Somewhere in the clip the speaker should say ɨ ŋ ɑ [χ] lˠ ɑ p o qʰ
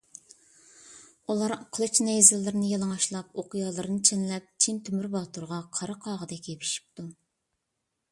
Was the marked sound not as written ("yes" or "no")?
yes